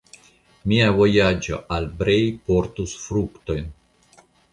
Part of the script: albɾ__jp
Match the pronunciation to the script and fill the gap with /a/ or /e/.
e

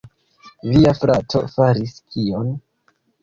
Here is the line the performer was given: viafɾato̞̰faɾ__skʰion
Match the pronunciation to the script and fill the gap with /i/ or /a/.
i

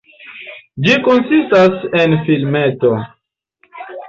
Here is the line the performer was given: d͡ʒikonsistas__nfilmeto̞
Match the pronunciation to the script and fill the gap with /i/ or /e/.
e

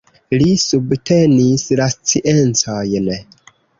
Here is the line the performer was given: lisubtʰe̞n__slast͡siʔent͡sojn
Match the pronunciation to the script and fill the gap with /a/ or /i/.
i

